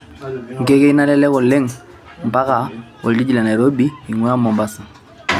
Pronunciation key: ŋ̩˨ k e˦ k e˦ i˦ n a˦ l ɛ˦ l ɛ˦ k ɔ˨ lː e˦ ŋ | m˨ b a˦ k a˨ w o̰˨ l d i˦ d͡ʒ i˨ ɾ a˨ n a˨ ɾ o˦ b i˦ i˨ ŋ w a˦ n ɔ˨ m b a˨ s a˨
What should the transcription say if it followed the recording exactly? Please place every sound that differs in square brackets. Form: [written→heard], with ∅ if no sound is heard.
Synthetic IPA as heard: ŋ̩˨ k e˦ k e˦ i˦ n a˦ l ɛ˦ l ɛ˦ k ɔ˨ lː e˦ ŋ | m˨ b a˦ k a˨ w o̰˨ l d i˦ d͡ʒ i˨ [ɾ→l] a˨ n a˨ ɾ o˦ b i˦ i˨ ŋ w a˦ [n→m] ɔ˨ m b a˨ s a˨